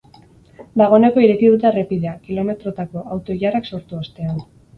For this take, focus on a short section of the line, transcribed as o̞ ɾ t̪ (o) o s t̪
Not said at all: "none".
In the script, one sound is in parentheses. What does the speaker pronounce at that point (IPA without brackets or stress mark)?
u